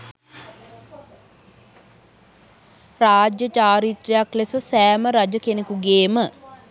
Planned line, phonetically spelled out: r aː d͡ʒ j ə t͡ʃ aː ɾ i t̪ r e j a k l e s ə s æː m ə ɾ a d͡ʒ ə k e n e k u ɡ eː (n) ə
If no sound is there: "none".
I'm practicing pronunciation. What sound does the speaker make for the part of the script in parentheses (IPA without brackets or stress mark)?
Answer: m